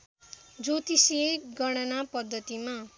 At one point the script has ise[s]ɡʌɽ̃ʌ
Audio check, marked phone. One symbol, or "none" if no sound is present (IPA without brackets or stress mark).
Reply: none